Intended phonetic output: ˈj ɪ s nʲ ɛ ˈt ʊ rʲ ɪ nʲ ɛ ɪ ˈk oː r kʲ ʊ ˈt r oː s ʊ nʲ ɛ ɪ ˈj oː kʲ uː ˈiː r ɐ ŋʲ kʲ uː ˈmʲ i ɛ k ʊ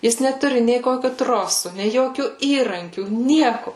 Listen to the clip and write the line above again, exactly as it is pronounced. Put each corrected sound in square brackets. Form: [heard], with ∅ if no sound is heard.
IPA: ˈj ɪ s nʲ ɛ ˈt ʊ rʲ ɪ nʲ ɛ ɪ ˈk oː [∅] kʲ ʊ ˈt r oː s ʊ nʲ ɛ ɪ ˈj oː kʲ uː ˈiː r ɐ ŋʲ kʲ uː [ˈnʲ] i ɛ k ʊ

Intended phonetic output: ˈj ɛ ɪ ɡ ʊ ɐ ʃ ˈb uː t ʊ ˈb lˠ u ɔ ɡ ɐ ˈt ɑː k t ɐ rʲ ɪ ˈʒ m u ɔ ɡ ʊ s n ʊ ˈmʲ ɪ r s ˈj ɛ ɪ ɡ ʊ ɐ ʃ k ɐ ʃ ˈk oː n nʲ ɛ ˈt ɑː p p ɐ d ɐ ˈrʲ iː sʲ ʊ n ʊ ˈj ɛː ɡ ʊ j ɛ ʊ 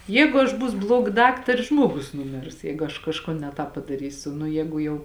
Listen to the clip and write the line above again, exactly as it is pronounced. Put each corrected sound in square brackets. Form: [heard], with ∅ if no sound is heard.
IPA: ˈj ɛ ɪ ɡ ʊ ɐ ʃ ˈb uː [s] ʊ ˈb lˠ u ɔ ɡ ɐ [ˈd] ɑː k t ɐ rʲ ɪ ˈʒ m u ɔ ɡ ʊ s n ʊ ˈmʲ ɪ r s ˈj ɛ ɪ ɡ ʊ ɐ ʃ k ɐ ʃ ˈk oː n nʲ ɛ ˈt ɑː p p ɐ d ɐ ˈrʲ iː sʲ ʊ n ʊ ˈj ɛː ɡ ʊ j ɛ ʊ

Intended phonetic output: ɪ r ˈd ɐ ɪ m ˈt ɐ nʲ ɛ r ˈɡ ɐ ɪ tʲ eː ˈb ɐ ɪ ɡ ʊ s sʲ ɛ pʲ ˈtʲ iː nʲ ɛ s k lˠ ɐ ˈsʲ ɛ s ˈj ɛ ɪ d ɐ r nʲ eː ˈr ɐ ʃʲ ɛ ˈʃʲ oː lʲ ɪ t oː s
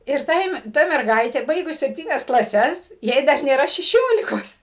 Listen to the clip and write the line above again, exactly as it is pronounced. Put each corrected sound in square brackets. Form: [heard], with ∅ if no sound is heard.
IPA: ɪ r [ˈt] ɐ ɪ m ˈt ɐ [mʲ] ɛ r ˈɡ ɐ ɪ tʲ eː ˈb ɐ ɪ ɡ ʊ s sʲ ɛ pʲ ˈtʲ iː nʲ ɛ s k lˠ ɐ ˈsʲ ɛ s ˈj ɛ ɪ d ɐ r nʲ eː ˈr ɐ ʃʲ ɛ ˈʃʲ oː lʲ ɪ [k] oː s

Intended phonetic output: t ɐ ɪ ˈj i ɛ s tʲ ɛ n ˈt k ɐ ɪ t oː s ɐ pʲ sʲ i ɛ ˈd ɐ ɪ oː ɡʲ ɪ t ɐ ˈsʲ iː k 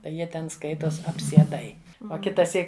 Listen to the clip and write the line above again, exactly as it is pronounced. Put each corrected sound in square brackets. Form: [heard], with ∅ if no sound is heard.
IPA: t ɐ ɪ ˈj i ɛ [∅] tʲ ɛ n [ˈs] k ɐ ɪ t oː s ɐ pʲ sʲ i ɛ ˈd ɐ ɪ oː [kʲ] ɪ t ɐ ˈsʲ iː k

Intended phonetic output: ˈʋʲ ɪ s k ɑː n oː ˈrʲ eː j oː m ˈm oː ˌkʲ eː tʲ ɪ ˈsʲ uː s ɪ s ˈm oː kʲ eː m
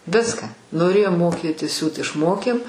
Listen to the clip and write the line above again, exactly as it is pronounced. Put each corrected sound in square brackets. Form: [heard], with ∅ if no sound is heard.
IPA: ˈʋʲ ɪ s k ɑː n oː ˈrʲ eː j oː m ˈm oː ˌkʲ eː tʲ ɪ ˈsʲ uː [t] ɪ [ʃ] ˈm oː kʲ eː m

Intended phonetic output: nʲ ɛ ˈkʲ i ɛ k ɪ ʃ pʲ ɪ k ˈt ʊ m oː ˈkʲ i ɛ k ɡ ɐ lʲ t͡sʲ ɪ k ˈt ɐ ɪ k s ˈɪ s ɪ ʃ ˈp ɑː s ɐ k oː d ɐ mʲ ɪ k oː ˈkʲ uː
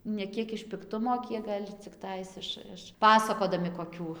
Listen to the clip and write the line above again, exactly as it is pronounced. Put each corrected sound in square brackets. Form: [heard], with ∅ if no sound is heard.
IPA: nʲ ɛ ˈkʲ i ɛ k ɪ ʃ pʲ ɪ k ˈt ʊ m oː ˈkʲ i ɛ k ɡ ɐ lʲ t͡sʲ ɪ k ˈt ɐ ɪ [∅] s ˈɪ [ʃ] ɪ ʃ ˈp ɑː s ɐ k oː d ɐ mʲ ɪ k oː ˈkʲ uː

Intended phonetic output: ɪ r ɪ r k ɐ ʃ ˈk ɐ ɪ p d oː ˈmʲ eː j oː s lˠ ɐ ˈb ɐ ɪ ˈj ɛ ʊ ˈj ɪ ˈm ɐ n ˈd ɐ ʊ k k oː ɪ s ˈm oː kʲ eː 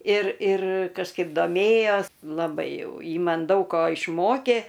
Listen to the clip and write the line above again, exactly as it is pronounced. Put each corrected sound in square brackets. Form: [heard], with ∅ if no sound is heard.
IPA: ɪ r ɪ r k ɐ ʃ ˈk ɐ ɪ p d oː ˈmʲ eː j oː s lˠ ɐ ˈb ɐ ɪ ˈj ɛ ʊ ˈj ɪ ˈm ɐ n ˈd ɐ ʊ k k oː ɪ [ʃ] ˈm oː kʲ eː

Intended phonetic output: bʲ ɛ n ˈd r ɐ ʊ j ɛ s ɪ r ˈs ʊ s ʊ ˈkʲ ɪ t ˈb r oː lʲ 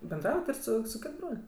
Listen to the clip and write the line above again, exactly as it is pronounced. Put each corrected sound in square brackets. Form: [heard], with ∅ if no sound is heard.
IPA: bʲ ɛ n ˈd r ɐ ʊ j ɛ [t] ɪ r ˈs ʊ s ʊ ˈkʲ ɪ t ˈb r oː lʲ

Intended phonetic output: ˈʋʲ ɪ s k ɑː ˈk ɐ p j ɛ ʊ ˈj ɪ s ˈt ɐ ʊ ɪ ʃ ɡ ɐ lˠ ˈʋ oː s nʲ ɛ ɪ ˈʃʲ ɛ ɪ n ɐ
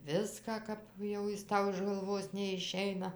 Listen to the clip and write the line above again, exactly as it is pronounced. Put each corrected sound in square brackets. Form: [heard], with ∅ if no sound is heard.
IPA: ˈʋʲ ɪ s k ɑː ˈk ɐ p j ɛ ʊ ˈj ɪ s ˈt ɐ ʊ ɪ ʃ ɡ ɐ lˠ ˈʋ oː s nʲ ɛ ɪ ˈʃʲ ɛ ɪ n ɐ

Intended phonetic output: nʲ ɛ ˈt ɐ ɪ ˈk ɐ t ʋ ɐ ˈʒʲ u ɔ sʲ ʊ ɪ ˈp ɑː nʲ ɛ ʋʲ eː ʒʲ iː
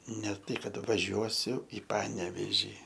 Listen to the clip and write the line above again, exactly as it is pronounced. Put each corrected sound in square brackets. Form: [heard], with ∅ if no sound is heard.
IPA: nʲ ɛ ˈt ɐ ɪ ˈk ɐ t ʋ ɐ ˈʒʲ u ɔ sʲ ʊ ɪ ˈp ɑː nʲ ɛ ʋʲ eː ʒʲ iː

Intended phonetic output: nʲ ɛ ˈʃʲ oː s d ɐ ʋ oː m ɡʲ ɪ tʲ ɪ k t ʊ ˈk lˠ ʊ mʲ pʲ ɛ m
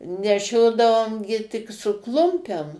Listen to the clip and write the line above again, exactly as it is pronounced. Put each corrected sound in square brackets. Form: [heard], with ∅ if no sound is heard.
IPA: nʲ ɛ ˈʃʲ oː [∅] d ɐ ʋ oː m ɡʲ ɪ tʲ ɪ k [s] ʊ ˈk lˠ ʊ mʲ pʲ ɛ m

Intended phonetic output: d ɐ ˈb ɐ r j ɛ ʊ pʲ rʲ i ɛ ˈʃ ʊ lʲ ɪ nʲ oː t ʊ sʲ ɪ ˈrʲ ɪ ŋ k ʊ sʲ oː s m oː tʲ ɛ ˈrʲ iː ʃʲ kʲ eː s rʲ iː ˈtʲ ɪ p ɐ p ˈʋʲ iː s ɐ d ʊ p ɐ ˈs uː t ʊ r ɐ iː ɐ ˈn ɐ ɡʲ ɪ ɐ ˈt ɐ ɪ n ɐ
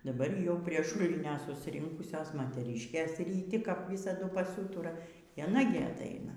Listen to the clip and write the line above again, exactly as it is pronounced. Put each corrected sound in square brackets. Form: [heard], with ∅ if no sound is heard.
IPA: d ɐ ˈb ɐ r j ɛ ʊ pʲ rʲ i ɛ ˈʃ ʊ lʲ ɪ nʲ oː [s] ʊ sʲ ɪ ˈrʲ ɪ ŋ k ʊ sʲ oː s m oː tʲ ɛ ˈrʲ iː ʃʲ kʲ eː s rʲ iː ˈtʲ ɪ [k] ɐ p ˈʋʲ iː s ɐ d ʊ p ɐ ˈs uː t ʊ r ɐ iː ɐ ˈn ɐ ɡʲ ɪ ɐ ˈt ɐ ɪ n ɐ

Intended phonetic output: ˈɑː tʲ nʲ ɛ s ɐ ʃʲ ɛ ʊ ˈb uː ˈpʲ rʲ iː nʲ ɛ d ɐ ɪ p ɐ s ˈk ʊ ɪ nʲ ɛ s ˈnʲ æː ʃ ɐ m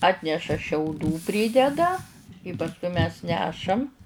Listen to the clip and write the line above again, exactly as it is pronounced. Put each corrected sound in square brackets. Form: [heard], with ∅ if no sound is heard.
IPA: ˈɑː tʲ nʲ ɛ [ʃ] ɐ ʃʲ ɛ ʊ [ˈd] uː ˈpʲ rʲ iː [dʲ] ɛ d ɐ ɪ p ɐ s ˈk ʊ ɪ [mʲ] ɛ s ˈnʲ æː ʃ ɐ m

